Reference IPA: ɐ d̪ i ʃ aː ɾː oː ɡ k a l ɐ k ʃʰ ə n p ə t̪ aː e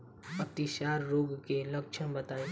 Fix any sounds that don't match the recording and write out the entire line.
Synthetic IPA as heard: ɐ t̪ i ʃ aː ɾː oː ɡ k e l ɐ k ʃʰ ə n b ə t̪ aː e